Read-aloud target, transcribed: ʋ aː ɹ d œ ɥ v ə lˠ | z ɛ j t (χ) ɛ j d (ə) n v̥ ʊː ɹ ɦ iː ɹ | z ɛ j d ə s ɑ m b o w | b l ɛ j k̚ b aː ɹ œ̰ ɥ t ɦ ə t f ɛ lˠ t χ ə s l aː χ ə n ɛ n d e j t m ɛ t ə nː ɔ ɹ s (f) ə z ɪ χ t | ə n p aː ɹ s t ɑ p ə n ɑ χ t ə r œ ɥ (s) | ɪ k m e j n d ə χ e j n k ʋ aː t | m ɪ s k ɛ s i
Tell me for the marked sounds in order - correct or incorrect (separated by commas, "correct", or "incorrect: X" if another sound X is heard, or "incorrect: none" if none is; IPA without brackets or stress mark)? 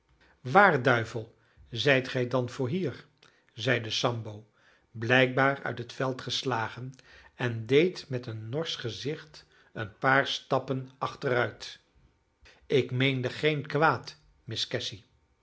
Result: correct, incorrect: ɑ, incorrect: χ, incorrect: t